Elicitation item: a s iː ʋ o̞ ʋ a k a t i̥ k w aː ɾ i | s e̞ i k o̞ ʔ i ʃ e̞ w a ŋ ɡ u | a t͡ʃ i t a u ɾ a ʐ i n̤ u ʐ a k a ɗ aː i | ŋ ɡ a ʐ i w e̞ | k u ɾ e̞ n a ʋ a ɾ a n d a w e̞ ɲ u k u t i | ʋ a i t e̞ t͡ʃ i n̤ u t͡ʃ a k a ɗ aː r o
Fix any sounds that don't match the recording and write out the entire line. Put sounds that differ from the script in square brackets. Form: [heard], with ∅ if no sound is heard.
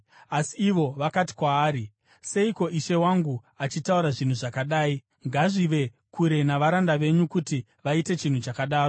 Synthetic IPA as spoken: a s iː ʋ o̞ ʋ a k a t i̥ k w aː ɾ i | s e̞ i k o̞ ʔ i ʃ e̞ w a ŋ ɡ u | a t͡ʃ i t a u ɾ a ʐ i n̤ u ʐ a k a ɗ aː i | ŋ ɡ a ʐ i [ʋ] e̞ | k u ɾ e̞ n a ʋ a ɾ a n d a [ʋ] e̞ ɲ u k u t i | ʋ a i t e̞ t͡ʃ i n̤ u t͡ʃ a k a ɗ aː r o